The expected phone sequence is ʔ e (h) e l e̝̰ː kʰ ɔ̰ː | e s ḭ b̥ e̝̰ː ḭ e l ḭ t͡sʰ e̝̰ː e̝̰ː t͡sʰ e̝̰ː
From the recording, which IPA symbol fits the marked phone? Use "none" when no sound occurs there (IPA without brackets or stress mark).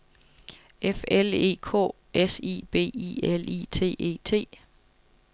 f